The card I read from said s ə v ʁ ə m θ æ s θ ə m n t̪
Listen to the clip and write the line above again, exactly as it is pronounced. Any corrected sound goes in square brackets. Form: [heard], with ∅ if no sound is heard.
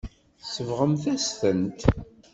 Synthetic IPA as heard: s ə v ʁ ə m θ æ s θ ə [∅] n t̪